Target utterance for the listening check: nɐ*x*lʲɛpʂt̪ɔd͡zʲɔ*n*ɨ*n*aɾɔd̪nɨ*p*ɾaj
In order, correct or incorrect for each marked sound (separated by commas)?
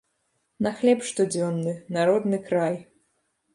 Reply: correct, incorrect, correct, incorrect